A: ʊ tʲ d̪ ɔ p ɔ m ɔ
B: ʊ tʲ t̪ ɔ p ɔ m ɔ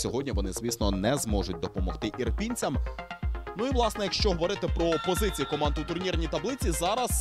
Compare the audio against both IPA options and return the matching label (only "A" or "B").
A